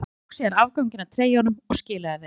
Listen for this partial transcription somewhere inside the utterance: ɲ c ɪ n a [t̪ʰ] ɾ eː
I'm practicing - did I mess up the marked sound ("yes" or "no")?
no